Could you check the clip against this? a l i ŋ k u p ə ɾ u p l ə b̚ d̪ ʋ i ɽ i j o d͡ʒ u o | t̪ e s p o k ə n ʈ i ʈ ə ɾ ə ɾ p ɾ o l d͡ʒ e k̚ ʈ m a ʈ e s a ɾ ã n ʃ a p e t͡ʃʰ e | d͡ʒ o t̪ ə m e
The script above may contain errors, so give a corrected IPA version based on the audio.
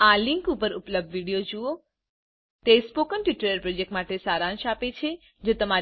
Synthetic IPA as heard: a l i ŋ k u p ə ɾ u p l ə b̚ d̪ ʋ i ɽ i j o d͡ʒ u o | t̪ e s p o k ə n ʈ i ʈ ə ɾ ə ɾ p ɾ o d͡ʒ e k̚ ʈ m a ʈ e s a ɾ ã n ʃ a p e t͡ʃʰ e | d͡ʒ o t̪ ə m a